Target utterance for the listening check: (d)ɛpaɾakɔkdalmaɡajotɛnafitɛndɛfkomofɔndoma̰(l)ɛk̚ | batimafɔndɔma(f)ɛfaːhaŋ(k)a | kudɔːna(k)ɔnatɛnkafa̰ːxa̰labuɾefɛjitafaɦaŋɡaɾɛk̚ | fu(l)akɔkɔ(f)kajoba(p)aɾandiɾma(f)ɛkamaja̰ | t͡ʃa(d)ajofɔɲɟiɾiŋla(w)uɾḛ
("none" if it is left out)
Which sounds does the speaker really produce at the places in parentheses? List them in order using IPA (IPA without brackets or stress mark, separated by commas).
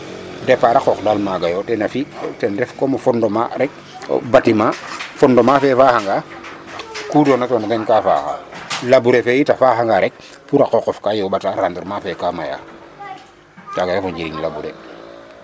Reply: d, ɾ, f, ɡ, t, ɾ, f, t, f, ɡ, b